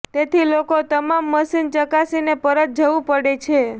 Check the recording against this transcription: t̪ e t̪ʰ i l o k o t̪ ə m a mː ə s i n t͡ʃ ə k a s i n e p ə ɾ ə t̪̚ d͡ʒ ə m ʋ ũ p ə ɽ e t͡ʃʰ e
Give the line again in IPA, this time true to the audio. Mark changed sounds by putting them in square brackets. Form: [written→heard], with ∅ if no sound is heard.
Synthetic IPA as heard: t̪ e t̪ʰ i l o k o t̪ ə m a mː ə s i n t͡ʃ ə k a s i n e p ə ɾ ə t̪̚ d͡ʒ ə [m→∅] ʋ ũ p ə ɽ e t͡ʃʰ e